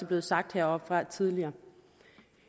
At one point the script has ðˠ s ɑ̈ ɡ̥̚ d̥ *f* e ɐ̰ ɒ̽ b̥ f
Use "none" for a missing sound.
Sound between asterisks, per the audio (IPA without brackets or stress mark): h